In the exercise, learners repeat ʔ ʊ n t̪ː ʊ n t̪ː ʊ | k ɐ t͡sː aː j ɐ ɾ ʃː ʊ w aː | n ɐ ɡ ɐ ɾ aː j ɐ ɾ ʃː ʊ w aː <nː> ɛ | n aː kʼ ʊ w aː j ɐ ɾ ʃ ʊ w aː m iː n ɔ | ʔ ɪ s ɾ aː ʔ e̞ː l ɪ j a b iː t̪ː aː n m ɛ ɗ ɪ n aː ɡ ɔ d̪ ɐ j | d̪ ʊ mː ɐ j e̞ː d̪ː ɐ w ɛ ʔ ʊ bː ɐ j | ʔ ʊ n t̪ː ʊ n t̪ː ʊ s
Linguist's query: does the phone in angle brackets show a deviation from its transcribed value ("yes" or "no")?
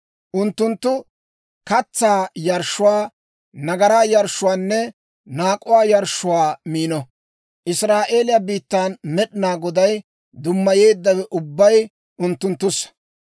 no